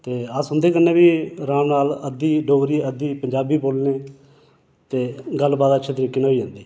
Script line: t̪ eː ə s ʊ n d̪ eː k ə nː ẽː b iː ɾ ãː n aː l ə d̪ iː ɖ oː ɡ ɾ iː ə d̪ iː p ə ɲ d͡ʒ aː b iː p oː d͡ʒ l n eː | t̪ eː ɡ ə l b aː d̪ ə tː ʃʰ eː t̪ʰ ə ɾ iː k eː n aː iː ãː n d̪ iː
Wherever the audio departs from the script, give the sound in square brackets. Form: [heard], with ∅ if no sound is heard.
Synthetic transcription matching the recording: t̪ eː ə s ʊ n d̪ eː k ə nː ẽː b iː ɾ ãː n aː l ə d̪ iː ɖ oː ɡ ɾ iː ə d̪ iː p ə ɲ d͡ʒ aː b iː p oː [∅] l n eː | t̪ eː ɡ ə l b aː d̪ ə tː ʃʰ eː [t̪] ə ɾ iː k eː n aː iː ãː n d̪ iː